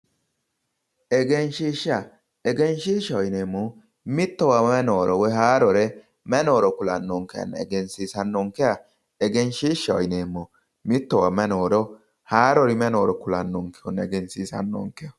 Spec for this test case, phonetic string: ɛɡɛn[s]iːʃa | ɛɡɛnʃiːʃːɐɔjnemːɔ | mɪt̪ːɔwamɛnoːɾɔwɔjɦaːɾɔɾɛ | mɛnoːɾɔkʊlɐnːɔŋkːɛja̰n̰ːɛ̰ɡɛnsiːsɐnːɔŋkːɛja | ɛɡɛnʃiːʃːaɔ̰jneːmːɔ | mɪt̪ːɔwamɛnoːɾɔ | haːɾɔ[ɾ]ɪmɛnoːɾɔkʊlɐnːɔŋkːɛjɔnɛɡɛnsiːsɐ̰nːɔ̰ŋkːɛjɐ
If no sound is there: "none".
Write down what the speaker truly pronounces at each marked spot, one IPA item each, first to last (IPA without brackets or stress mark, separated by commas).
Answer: ʃ, ɾ